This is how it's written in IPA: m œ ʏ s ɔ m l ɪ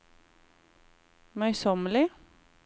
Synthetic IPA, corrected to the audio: m œ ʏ s ɔ m l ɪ